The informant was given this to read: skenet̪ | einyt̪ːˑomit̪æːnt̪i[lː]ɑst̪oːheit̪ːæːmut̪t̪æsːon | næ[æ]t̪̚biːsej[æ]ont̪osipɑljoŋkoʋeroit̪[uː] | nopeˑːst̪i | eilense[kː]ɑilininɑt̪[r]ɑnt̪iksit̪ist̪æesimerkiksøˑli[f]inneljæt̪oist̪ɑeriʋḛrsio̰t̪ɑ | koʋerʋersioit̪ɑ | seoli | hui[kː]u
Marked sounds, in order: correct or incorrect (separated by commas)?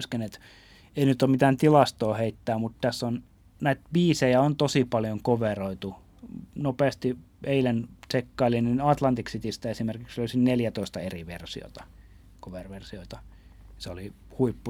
incorrect, incorrect, correct, incorrect, correct, incorrect, incorrect, incorrect